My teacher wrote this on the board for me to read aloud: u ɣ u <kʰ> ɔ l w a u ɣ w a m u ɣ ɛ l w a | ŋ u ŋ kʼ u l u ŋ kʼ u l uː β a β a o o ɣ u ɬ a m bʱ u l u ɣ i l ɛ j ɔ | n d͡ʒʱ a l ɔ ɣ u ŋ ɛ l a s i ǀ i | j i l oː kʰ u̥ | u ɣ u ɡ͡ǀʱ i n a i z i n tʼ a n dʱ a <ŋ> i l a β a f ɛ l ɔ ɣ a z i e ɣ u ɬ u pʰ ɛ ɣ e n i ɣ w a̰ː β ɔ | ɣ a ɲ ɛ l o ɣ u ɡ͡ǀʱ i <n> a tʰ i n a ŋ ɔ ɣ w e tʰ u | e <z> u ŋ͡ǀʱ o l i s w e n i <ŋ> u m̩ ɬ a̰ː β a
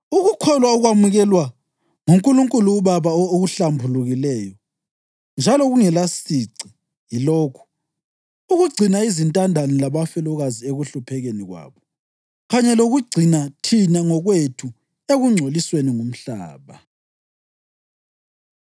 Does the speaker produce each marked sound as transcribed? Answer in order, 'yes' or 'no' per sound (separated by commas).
yes, no, yes, no, yes